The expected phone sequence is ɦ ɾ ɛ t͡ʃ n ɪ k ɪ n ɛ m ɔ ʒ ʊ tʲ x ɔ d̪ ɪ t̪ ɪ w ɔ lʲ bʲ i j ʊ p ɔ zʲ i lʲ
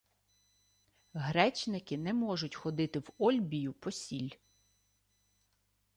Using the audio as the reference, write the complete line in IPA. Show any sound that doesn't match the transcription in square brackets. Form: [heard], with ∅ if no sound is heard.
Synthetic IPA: ɦ ɾ ɛ t͡ʃ n ɪ k ɪ n ɛ m ɔ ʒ ʊ tʲ x ɔ d̪ ɪ t̪ ɪ w ɔ lʲ bʲ i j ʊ p ɔ [sʲ] i lʲ